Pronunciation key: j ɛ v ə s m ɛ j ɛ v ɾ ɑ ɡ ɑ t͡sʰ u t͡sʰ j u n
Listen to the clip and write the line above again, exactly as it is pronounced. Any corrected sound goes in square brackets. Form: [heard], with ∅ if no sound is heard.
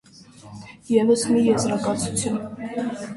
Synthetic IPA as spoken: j ɛ v ə s m [i] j ɛ [z] ɾ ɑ [k] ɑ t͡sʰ u t͡sʰ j u n

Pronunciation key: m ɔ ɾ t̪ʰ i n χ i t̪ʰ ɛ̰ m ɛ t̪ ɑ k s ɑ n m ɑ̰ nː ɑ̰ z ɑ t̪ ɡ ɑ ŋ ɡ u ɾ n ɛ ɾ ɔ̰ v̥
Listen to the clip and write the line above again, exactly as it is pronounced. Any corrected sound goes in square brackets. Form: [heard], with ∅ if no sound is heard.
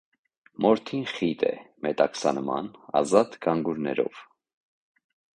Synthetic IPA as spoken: m ɔ ɾ t̪ʰ i n χ i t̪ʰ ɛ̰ m ɛ t̪ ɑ k s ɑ n m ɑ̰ [n] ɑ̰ z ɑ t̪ ɡ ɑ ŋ ɡ u ɾ n ɛ ɾ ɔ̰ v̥

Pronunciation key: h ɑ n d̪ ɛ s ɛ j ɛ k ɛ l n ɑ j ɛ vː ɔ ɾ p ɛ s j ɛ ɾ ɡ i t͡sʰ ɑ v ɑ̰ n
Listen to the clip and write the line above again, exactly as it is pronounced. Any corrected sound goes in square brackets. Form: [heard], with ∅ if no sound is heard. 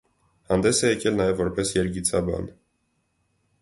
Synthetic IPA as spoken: h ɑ n d̪ ɛ s ɛ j ɛ k ɛ l n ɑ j ɛ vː ɔ ɾ p ɛ s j ɛ ɾ ɡ i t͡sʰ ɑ [b] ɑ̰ n

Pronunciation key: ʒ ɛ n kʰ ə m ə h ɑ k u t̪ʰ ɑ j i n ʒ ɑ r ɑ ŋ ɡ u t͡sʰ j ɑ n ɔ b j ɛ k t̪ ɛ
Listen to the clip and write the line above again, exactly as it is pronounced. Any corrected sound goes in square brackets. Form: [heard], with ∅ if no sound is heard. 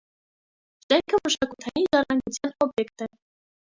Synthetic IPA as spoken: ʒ ɛ [ŋ] kʰ ə m ə [ʃ] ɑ k u t̪ʰ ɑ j i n ʒ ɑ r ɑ ŋ ɡ u t͡sʰ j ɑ n ɔ b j ɛ k t̪ ɛ

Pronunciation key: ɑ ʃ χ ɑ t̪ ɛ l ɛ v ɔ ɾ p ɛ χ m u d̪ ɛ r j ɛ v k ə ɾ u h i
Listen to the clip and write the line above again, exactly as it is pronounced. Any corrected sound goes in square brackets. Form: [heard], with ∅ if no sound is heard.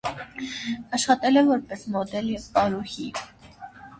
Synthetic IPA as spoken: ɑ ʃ χ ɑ t̪ ɛ l ɛ v ɔ ɾ p ɛ [s] m [ɔ] d̪ ɛ [l] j ɛ v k [ɑ] ɾ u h i

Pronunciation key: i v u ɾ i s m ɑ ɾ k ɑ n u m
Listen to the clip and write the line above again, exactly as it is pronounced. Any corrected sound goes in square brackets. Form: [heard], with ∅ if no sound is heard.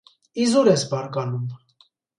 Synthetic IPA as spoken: i [z] u ɾ [ɛ] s [b] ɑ ɾ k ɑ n u m

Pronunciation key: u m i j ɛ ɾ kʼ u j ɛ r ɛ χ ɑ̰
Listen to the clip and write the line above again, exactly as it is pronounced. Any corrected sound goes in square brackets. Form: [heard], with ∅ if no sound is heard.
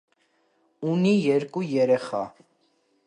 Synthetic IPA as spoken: u [n] i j ɛ ɾ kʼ u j ɛ [ɾ] ɛ χ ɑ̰

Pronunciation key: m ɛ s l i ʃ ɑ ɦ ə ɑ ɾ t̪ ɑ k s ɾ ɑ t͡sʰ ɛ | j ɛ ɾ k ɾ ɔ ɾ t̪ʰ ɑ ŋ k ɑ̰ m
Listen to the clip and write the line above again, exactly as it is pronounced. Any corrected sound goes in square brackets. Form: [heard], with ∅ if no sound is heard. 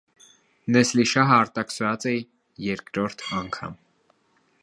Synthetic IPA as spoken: [n] ɛ s l i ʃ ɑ ɦ ə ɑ ɾ t̪ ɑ k s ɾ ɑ [t͡s] ɛ | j ɛ ɾ k ɾ ɔ ɾ t̪ʰ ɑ ŋ [kʰ] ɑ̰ m

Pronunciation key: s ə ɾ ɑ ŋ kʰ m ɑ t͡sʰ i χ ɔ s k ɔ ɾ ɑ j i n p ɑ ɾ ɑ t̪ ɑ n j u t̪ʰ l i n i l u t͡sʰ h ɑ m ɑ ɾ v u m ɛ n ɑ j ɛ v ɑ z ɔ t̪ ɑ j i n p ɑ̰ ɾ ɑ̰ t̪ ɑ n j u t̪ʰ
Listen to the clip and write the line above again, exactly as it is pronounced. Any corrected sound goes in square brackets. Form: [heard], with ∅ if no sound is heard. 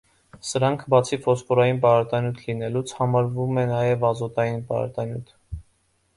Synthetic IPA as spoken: s ə ɾ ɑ ŋ kʰ [b] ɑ t͡sʰ i [f] ɔ s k ɔ ɾ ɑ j i n p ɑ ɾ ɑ t̪ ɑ n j u t̪ʰ l i n [ɛ] l u t͡sʰ h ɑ m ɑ ɾ v u m ɛ n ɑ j ɛ v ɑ z ɔ t̪ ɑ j i n p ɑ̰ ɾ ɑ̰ t̪ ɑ n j u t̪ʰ

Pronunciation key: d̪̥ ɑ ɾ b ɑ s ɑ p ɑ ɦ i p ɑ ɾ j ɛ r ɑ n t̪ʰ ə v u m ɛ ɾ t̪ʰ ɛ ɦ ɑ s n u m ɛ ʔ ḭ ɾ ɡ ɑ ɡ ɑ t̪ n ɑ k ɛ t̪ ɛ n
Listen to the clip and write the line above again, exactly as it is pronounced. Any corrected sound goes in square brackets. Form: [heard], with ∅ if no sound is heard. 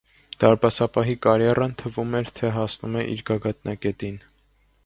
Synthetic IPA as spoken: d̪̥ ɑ ɾ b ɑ s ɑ p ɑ ɦ i [k] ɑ ɾ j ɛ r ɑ n t̪ʰ ə v u m ɛ ɾ t̪ʰ ɛ ɦ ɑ s n u m ɛ ʔ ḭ ɾ ɡ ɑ ɡ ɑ t̪ n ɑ k ɛ t̪ [i] n

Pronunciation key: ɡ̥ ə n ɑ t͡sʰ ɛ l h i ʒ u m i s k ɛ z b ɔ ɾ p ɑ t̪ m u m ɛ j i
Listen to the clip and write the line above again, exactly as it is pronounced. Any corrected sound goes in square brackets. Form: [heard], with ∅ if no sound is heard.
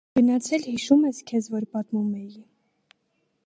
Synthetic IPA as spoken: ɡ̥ ə n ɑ t͡sʰ ɛ l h i [ʃ] u m [ɛ] s [kʰ] ɛ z [v] ɔ ɾ p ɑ t̪ m u m ɛ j i

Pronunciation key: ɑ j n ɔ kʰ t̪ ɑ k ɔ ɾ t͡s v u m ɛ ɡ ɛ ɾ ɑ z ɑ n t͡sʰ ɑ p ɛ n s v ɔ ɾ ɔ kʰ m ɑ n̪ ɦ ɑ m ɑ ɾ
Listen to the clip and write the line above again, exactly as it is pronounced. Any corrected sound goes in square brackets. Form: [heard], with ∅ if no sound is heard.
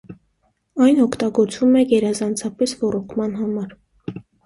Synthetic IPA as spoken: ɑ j n ɔ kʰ t̪ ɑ [ɡ] ɔ ɾ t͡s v u m ɛ ɡ ɛ ɾ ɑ z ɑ n t͡sʰ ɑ p ɛ [∅] s v ɔ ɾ ɔ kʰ m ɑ n̪ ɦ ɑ m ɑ ɾ

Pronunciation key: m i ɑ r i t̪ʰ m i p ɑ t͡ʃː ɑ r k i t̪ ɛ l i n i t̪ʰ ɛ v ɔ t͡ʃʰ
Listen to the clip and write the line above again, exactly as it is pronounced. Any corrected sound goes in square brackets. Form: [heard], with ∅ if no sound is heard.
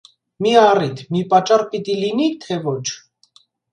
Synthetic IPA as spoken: m i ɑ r i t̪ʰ m i p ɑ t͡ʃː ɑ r [p] i t̪ [i] l i n i t̪ʰ ɛ v ɔ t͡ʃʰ

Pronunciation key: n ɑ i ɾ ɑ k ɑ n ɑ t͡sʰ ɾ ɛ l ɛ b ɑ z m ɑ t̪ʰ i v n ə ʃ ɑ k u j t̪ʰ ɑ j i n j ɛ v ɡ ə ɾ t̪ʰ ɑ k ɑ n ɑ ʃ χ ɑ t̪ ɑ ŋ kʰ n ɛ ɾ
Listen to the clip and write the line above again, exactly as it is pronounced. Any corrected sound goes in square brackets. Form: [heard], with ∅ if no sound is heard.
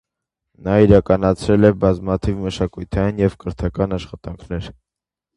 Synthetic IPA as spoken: n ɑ i ɾ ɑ k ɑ n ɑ t͡sʰ ɾ ɛ l ɛ b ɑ z m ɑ t̪ʰ i v [m] ə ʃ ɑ k u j t̪ʰ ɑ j i n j ɛ v [k] ə ɾ t̪ʰ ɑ k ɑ n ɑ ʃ χ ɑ t̪ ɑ ŋ kʰ n ɛ ɾ

